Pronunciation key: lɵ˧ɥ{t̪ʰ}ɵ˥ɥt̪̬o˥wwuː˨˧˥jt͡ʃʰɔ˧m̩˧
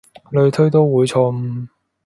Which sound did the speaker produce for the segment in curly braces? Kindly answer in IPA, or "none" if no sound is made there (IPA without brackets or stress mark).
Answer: t̪ʰ